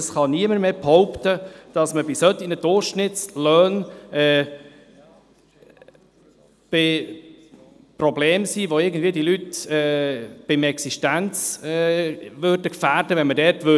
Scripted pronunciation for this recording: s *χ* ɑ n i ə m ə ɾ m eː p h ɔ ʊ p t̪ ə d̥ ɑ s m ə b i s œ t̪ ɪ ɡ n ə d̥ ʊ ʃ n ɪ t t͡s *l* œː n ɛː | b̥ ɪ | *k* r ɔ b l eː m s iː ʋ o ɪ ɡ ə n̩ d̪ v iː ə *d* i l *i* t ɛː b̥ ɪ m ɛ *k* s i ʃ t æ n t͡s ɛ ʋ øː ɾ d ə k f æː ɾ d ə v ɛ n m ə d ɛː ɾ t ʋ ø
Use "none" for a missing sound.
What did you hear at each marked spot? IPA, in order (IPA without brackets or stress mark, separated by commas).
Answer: χ, l, p, d, y, k